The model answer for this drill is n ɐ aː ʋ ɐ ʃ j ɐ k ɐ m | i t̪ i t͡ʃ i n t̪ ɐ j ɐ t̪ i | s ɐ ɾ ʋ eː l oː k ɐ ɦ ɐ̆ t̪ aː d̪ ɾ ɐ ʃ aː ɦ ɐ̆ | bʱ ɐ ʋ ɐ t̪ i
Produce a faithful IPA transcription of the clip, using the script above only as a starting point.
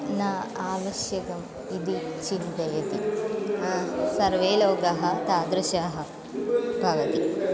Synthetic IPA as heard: n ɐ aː ʋ ɐ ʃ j ɐ k ɐ m | i d̪ i t͡ʃ i n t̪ ɐ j ɐ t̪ i | s ɐ ɾ ʋ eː l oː ɡ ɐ ɦ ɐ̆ t̪ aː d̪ ɾ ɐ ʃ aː ɦ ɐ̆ | bʱ ɐ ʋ ɐ t̪ i